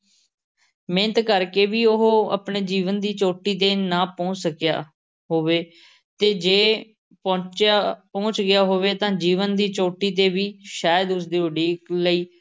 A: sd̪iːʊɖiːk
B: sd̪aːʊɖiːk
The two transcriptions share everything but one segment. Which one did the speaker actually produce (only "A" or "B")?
A